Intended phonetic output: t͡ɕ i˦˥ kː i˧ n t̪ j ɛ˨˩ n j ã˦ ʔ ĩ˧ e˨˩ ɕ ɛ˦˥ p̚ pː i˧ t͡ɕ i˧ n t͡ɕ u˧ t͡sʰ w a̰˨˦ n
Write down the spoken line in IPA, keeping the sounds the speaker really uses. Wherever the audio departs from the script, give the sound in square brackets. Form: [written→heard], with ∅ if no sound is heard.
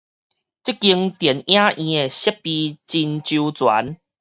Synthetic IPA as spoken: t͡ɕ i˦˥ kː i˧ [n→ŋ] t̪ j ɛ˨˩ n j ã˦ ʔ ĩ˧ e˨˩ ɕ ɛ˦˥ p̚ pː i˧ t͡ɕ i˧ n t͡ɕ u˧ [t͡sʰ→t͡s] w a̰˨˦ n